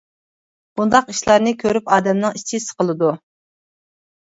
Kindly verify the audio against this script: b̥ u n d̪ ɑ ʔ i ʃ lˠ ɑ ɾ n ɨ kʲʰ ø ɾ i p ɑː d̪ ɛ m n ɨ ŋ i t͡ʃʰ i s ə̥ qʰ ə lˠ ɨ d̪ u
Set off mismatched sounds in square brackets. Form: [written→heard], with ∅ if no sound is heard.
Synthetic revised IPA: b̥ u n d̪ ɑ [ʔ→q] i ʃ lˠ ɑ ɾ n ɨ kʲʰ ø ɾ [i→y] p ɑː d̪ ɛ m n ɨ ŋ i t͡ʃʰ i s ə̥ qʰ ə lˠ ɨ d̪ u